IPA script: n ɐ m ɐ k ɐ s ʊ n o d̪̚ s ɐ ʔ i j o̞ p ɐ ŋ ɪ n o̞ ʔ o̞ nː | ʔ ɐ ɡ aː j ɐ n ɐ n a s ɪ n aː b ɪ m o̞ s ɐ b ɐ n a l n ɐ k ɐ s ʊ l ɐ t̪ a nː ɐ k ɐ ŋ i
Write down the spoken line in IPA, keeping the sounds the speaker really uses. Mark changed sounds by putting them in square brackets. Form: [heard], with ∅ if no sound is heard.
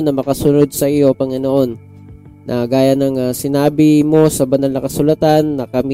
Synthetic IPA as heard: n ɐ m ɐ k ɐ s ʊ n o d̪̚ s ɐ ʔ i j o̞ p ɐ ŋ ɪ n o̞ ʔ o̞ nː | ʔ ɐ ɡ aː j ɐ n ɐ [ŋ] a s ɪ n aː b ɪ m o̞ s ɐ b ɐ n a l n ɐ k ɐ s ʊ l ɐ t̪ a nː ɐ k ɐ [m] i